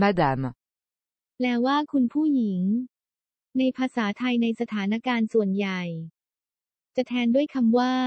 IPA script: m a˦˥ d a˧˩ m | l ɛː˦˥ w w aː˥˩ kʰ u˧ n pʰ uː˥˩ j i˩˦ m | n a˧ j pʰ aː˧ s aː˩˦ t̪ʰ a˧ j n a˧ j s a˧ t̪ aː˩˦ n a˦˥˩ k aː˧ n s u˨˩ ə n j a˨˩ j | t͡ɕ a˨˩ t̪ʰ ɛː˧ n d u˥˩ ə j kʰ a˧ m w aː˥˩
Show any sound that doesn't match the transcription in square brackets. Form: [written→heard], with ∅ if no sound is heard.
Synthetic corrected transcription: m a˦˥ d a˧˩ m | l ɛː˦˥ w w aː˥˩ kʰ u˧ n pʰ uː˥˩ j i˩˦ [m→ŋ] | n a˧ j pʰ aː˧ s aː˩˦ t̪ʰ a˧ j n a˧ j s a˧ [t̪→t̪ʰ] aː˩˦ n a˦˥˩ k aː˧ n s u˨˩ ə n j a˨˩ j | t͡ɕ a˨˩ t̪ʰ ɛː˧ n d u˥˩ ə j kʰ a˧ m w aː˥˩